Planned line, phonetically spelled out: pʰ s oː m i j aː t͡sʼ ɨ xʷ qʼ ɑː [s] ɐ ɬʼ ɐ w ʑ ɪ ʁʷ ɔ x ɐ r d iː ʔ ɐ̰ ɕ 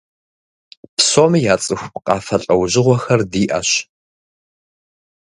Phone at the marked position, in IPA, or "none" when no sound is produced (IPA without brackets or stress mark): f